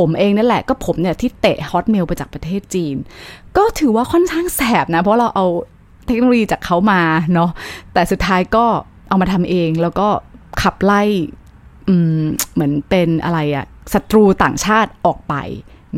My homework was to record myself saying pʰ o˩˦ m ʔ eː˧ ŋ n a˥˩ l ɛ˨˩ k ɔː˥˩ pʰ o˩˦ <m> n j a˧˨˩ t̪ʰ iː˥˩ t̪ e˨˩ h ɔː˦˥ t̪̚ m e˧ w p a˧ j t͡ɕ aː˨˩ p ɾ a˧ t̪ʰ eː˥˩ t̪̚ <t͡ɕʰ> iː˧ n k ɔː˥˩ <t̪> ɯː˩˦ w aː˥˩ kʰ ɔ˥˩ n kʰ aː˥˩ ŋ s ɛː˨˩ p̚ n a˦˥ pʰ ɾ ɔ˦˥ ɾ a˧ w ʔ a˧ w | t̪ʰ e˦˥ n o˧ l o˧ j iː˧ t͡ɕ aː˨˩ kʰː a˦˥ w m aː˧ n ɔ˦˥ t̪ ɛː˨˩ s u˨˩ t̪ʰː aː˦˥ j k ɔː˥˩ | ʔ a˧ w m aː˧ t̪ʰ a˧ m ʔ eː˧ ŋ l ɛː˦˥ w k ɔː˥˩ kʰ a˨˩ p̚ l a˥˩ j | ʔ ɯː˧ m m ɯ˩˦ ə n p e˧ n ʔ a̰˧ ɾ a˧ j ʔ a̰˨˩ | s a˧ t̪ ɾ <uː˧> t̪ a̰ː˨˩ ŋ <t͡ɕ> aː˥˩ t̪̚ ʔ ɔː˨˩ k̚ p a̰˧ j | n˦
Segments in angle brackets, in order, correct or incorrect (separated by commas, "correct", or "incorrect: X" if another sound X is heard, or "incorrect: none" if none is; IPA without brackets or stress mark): correct, incorrect: t͡ɕ, incorrect: t̪ʰ, correct, incorrect: t͡ɕʰ